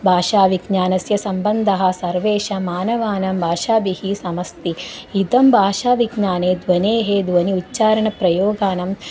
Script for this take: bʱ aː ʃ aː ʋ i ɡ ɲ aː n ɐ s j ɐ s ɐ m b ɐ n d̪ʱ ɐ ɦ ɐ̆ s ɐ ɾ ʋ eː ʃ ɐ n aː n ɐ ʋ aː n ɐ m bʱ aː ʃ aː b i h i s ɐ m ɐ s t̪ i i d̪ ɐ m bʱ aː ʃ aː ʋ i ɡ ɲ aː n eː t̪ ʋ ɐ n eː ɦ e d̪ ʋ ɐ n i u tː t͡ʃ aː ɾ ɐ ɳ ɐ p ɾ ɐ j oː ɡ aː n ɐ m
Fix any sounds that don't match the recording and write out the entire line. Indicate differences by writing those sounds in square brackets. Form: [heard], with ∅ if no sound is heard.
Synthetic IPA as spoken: bʱ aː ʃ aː ʋ i ɡ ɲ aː n ɐ s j ɐ s ɐ m b ɐ n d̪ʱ ɐ ɦ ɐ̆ s ɐ ɾ ʋ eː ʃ ɐ [m] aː n ɐ ʋ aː n ɐ m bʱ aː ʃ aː b i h i s ɐ m ɐ s t̪ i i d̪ ɐ m bʱ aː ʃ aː ʋ i ɡ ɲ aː n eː [d̪] ʋ ɐ n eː ɦ e d̪ ʋ ɐ n i u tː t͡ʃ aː ɾ ɐ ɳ ɐ p ɾ ɐ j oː ɡ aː n ɐ m